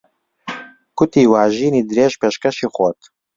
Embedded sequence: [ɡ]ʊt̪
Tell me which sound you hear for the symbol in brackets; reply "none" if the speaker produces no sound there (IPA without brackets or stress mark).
k